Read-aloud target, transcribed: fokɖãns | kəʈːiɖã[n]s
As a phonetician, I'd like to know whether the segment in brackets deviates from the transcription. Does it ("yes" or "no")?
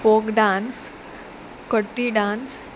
no